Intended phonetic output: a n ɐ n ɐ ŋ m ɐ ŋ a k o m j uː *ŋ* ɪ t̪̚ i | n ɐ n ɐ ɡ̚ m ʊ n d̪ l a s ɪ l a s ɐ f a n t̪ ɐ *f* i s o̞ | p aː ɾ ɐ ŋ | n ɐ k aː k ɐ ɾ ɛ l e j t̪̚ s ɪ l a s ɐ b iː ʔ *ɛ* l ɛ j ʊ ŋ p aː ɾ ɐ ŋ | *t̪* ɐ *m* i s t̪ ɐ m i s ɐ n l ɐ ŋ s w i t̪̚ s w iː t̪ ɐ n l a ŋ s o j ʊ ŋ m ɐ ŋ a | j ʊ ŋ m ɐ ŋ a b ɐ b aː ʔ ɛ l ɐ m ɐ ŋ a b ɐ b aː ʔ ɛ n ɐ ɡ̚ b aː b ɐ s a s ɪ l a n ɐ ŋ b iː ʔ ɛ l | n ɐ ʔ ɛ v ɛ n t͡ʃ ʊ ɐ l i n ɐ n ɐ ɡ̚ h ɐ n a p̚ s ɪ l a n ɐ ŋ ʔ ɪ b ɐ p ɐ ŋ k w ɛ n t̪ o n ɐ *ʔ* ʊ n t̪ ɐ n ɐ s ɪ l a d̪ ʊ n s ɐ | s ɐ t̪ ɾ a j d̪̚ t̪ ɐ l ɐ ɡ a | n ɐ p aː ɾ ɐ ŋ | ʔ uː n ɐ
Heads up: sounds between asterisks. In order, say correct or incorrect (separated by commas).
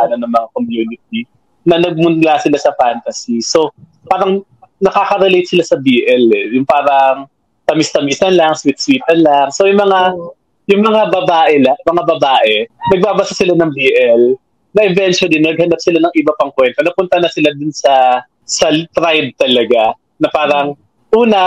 incorrect, incorrect, correct, correct, correct, incorrect